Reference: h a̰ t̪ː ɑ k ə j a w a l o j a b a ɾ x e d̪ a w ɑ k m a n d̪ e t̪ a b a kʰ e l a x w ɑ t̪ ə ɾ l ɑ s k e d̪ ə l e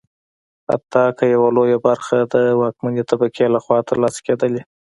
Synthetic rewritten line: h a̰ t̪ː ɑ k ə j a w a l o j a b a ɾ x a d̪ ə w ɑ k m a n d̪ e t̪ a b a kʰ e l a x w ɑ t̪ ə ɾ l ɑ s k e d̪ ə l e